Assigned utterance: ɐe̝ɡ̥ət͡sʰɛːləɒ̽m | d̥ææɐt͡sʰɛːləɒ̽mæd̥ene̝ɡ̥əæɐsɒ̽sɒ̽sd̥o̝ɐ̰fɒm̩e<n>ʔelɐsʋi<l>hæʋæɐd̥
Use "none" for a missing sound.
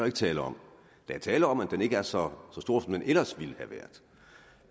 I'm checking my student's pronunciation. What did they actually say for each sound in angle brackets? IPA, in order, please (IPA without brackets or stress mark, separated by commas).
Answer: n, l